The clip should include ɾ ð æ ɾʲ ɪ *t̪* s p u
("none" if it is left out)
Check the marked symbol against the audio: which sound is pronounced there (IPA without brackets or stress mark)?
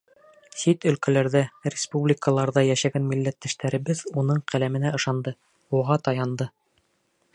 none